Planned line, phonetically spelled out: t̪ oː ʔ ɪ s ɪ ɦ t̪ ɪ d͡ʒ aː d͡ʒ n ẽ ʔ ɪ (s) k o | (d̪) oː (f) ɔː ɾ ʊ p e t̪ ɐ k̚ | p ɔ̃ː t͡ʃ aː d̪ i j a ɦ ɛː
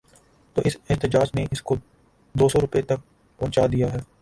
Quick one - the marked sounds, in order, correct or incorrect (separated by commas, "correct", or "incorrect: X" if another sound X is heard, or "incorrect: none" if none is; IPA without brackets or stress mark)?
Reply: correct, correct, incorrect: s